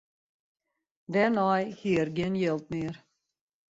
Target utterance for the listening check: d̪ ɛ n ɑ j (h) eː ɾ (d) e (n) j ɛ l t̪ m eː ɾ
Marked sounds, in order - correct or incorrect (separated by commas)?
correct, incorrect, correct